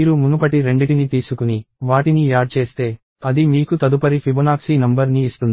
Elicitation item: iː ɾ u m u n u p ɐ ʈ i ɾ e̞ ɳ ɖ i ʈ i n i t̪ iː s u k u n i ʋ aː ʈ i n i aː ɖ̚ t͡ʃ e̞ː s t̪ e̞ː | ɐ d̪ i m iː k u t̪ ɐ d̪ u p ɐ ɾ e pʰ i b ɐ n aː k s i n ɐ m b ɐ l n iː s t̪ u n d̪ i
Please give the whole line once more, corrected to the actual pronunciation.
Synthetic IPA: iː ɾ u m u n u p ɐ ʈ i ɾ e̞ ɳ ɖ i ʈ i n i t̪ iː s u k u n i ʋ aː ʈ i n i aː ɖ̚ t͡ʃ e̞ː s t̪ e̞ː | ɐ d̪ i m iː k u t̪ ɐ d̪ u p ɐ ɾ i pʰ i b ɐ n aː k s i n ɐ m b ɐ ɾ n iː s t̪ u n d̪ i

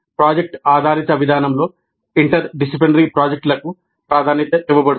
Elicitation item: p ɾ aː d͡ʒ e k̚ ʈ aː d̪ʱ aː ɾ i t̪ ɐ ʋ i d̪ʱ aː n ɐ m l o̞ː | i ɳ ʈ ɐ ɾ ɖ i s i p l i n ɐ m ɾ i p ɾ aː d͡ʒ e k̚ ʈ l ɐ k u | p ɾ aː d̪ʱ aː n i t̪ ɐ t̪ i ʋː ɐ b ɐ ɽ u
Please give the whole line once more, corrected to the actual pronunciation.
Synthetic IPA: p ɾ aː d͡ʒ e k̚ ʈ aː d̪ʱ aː ɾ i t̪ ɐ ʋ i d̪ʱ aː n ɐ m l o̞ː | i ɳ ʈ ɐ ɾ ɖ i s i p l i n ɐ ɾ i p ɾ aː d͡ʒ e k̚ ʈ l ɐ k u | p ɾ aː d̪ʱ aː n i t̪ ɐ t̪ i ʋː ɐ b ɐ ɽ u

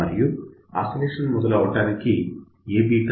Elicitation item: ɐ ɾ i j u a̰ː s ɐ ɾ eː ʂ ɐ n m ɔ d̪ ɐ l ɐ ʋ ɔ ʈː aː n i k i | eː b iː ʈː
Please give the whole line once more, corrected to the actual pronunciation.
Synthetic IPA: ɐ ɾ i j u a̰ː s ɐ l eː ʂ ɐ n m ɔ d̪ ɐ l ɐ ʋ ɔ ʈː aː n i k i | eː b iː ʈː

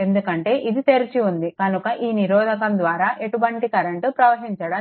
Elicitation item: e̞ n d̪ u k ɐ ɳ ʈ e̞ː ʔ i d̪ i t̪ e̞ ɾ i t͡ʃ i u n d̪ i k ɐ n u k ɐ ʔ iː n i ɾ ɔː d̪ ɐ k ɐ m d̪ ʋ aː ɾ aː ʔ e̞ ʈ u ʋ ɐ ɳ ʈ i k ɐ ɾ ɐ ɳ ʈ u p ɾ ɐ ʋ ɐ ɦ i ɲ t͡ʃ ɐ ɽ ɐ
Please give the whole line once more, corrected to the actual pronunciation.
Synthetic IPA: e̞ n d̪ u k ɐ ɳ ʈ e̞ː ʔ i d̪ i t̪ e̞ ɾ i t͡ʃ i u n d̪ i k ɐ n u k ɐ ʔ iː n i ɾ ɔː d̪ ɐ k ɐ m d̪ ʋ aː ɾ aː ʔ e̞ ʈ u ʋ ɐ ɳ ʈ i k ɐ ɾ ɐ ɳ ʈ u p ɾ ɐ ʋ ɐ ɦ i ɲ t͡ʃ ɐ ɽ ɐ

